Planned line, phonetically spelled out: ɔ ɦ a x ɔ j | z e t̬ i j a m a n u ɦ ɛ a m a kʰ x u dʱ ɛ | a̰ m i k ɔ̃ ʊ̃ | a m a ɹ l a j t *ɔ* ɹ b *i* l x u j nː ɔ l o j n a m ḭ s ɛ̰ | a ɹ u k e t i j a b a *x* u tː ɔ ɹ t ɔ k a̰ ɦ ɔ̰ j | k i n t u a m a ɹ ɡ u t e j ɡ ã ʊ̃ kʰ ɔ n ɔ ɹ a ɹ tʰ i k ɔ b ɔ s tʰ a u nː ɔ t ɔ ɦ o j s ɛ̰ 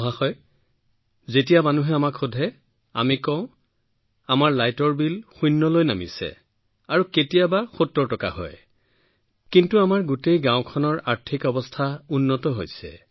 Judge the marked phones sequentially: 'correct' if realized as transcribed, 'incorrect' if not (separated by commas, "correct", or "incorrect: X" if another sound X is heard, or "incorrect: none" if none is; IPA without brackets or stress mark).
correct, correct, correct